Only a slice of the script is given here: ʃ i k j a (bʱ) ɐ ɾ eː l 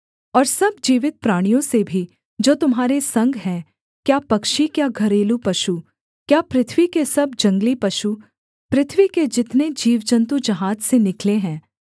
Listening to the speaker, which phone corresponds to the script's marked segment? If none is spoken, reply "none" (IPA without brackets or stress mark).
ɡʱ